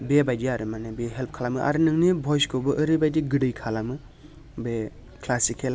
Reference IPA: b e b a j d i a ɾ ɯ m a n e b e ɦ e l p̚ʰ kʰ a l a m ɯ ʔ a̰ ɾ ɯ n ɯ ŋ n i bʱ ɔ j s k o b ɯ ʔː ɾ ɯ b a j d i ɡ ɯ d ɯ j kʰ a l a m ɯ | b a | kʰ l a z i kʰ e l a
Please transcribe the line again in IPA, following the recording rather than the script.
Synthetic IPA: b e b a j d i a ɾ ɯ m a n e b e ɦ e l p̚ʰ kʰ a l a m ɯ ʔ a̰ ɾ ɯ n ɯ ŋ n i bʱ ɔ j s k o b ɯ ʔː ɾ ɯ b a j d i ɡ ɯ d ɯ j kʰ a l a m ɯ | b e | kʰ l a s i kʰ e l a

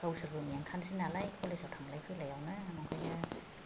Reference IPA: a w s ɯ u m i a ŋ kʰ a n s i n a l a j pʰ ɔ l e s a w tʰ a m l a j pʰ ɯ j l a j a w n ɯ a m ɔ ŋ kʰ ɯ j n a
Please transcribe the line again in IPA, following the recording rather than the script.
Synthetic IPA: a w s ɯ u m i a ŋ kʰ a n s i n a l a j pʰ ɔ l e s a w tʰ a m l a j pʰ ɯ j l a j a w n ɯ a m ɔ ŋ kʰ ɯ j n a

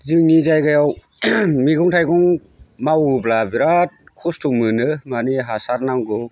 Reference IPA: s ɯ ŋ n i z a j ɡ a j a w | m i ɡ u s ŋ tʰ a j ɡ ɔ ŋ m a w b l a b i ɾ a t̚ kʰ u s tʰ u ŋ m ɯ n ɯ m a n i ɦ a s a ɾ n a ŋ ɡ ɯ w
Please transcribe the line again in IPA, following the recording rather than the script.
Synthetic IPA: z ɯ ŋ n i z a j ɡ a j a w | m i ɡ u ŋ tʰ a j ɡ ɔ ŋ m a w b l a b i ɾ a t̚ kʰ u s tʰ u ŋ m ɯ n ɯ m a n i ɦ a s a ɾ n a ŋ ɡ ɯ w

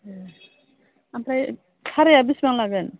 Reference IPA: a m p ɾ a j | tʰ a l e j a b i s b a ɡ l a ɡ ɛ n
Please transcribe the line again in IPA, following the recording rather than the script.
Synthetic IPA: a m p ɾ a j | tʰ a ɾ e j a b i s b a ŋ l a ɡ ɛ n

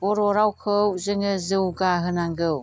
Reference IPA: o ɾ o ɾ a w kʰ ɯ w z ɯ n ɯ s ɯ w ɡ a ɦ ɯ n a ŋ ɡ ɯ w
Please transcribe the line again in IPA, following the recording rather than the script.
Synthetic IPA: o ɾ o ɾ a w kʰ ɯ w z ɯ ŋ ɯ z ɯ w ɡ a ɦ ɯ n a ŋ ɡ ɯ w

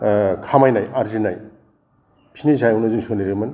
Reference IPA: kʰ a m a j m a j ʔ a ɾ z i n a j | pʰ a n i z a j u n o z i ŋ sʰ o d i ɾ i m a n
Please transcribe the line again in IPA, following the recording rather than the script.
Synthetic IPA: kʰ a m a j n a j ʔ a ɾ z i n a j | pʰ i n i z a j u n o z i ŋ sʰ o n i ɾ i m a n

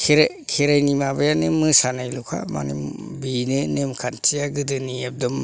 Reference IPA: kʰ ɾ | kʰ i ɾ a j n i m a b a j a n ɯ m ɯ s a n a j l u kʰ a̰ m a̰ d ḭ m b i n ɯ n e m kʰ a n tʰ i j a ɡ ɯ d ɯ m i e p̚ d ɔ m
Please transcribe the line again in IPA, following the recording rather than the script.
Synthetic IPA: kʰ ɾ | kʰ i ɾ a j n i m a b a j a n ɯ m ɯ s a n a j l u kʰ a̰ m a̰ n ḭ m b i n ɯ n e m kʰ a n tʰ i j a ɡ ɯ d ɯ n i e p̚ d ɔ m

